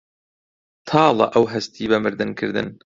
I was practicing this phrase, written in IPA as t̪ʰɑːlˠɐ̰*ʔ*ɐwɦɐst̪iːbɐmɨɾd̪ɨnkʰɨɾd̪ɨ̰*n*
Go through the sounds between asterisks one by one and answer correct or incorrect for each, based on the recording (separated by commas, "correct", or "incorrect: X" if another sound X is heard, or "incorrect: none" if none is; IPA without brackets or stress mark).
correct, correct